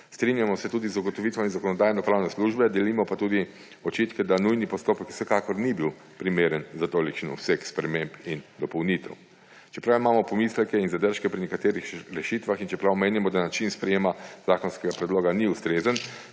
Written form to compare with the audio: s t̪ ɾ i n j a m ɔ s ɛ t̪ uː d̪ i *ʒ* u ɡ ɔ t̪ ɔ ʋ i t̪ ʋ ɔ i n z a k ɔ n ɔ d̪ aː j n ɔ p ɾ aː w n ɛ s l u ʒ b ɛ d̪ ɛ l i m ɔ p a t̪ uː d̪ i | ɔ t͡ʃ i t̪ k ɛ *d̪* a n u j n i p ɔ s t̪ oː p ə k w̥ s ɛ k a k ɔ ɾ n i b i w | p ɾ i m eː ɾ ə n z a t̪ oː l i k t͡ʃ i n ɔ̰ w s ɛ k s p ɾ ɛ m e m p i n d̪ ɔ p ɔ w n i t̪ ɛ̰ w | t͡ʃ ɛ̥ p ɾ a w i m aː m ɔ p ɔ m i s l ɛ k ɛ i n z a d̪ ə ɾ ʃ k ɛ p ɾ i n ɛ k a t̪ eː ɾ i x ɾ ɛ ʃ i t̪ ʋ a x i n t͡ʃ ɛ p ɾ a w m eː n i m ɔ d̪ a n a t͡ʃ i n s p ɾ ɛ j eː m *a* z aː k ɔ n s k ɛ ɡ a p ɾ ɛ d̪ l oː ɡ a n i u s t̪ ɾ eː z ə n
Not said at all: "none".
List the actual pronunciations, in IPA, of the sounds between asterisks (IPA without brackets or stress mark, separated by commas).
z, d̪, a